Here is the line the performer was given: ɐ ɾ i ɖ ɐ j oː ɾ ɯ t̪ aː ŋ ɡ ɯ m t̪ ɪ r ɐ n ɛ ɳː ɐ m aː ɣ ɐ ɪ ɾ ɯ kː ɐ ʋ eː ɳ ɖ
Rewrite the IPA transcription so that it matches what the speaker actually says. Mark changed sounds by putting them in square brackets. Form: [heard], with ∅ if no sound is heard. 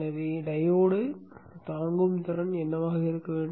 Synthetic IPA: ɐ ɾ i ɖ ɐ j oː [ɽ] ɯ t̪ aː ŋ ɡ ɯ m t̪ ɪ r ɐ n ɛ [nː] ɐ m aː ɣ ɐ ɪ ɾ ɯ kː ɐ ʋ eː ɳ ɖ